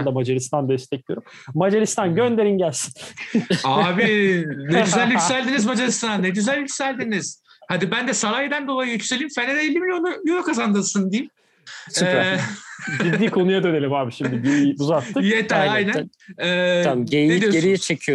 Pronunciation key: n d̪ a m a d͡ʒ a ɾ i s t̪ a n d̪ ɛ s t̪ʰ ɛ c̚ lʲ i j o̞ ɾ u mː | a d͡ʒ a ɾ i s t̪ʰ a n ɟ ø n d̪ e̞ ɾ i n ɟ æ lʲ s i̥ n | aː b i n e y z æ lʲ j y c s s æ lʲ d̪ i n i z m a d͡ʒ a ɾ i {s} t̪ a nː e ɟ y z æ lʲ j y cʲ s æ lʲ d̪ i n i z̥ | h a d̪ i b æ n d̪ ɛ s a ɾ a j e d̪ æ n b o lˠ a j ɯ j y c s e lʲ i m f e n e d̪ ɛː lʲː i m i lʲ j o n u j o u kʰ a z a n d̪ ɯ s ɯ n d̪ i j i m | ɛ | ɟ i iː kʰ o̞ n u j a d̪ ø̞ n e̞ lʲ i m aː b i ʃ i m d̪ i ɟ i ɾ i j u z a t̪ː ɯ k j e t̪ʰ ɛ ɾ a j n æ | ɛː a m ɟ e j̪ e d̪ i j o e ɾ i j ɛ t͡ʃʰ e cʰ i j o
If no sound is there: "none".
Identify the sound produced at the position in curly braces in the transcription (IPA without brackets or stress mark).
s